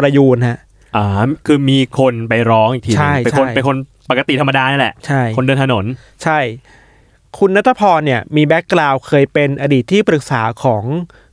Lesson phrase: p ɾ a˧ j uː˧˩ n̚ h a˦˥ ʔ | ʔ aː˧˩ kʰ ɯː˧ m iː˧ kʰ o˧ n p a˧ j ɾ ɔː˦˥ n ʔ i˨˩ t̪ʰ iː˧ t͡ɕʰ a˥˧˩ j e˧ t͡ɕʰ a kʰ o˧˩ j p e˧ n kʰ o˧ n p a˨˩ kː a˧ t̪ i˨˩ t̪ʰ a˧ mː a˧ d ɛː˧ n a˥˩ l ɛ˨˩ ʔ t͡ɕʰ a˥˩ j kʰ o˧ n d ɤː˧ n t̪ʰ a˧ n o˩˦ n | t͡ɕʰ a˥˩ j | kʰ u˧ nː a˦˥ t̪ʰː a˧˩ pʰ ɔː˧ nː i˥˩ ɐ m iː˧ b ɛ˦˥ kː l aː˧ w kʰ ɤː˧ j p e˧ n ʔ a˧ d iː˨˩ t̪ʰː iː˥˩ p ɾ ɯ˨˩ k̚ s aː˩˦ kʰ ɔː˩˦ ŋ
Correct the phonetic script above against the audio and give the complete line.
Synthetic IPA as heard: p ɾ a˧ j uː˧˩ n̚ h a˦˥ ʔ | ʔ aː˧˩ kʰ ɯː˧ m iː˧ kʰ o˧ n p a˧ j ɾ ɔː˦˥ ŋ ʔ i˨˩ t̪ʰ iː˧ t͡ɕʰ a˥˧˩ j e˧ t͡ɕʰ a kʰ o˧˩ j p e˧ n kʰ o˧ n p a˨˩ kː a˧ t̪ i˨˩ t̪ʰ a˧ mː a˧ d aː˧ n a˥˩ l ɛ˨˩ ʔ t͡ɕʰ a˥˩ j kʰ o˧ n d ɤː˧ n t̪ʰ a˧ n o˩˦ n | t͡ɕʰ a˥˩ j | kʰ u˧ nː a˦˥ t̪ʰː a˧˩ pʰ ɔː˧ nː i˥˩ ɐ m iː˧ b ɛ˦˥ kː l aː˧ w kʰ ɤː˧ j p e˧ n ʔ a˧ d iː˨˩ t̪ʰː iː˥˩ p ɾ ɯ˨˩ k̚ s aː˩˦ kʰ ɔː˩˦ ŋ